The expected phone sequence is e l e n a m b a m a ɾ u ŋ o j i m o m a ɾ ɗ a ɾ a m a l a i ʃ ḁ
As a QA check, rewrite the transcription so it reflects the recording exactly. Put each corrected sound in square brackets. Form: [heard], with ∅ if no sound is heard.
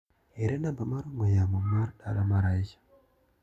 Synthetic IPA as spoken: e [ɾ] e n a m b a m a ɾ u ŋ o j [a] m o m a ɾ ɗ a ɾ a m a [ɾ] a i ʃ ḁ

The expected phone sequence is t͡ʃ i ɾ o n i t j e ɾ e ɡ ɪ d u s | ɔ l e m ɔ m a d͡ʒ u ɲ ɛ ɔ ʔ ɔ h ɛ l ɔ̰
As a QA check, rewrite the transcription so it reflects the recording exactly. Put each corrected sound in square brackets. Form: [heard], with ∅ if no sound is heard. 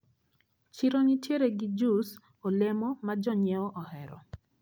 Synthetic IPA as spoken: t͡ʃ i ɾ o n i t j e ɾ e ɡ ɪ [d͡ʒ] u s | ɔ l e m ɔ m a d͡ʒ [ɔ] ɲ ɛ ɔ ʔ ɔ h ɛ [ɾ] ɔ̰

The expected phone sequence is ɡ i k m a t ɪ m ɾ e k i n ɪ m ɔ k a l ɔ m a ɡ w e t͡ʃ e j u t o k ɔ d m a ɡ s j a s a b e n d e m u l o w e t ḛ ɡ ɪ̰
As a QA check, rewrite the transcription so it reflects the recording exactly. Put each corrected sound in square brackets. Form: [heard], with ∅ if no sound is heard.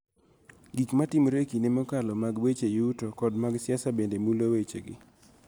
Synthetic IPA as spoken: ɡ i k m a t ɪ m ɾ e k i n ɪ m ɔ k a l ɔ m a ɡ w e t͡ʃ e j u t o k ɔ d m a ɡ s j a s a b e n d e m u l o w e [t͡ʃ] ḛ ɡ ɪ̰

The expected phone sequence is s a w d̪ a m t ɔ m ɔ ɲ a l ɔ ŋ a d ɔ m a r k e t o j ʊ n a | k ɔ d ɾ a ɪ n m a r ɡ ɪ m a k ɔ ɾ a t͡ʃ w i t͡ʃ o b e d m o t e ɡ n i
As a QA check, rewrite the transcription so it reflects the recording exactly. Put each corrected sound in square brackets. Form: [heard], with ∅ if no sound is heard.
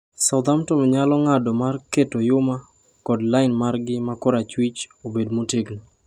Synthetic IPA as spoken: s a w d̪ a m t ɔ m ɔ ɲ a l ɔ ŋ a d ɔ m a r k e t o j ʊ [m] a | k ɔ d [l] a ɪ n m a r ɡ ɪ m a k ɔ ɾ a t͡ʃ w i t͡ʃ o b e d m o t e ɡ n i

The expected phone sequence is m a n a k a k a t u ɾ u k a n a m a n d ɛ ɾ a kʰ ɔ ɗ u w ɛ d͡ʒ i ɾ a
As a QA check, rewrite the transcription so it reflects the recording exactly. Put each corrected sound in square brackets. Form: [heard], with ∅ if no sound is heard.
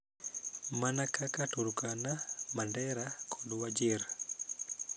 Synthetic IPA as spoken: m a n a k a k a t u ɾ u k a n a m a n d ɛ ɾ a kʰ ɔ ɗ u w [a] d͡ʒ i ɾ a

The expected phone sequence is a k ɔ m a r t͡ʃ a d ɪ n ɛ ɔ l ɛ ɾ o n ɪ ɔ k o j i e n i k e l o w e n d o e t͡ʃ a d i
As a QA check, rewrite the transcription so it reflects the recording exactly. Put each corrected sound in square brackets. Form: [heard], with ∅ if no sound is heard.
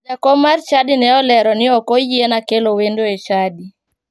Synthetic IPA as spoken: a k ɔ m a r t͡ʃ a d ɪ n ɛ ɔ l ɛ ɾ [ɔ] n ɪ ɔ k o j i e n [a] k e l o w e n d o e t͡ʃ a d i

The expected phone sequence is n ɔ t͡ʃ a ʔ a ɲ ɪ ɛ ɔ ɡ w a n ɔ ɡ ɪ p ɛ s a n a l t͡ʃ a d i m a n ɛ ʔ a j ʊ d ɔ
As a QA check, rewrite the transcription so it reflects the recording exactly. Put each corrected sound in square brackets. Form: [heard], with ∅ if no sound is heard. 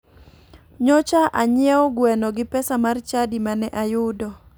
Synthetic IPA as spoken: [ɲ] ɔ t͡ʃ a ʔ a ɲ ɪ ɛ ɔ ɡ w [ɛ] n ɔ ɡ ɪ p ɛ s a [m] a [r] t͡ʃ a d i m a n ɛ ʔ a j ʊ d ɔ

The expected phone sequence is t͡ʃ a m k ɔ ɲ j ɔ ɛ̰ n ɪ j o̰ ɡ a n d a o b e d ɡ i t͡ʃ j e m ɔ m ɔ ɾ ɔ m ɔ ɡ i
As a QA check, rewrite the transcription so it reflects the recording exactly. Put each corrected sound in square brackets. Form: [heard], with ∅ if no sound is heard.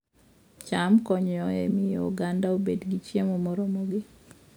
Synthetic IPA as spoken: t͡ʃ a m k ɔ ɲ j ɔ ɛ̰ [m] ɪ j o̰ ɡ a n d a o b e d ɡ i t͡ʃ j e m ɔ m ɔ ɾ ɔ m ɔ ɡ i

